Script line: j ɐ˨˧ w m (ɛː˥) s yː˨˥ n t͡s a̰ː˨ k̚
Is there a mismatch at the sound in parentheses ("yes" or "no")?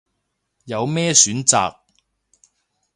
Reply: no